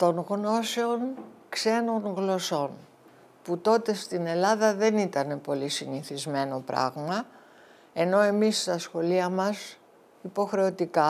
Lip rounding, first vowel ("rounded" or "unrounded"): rounded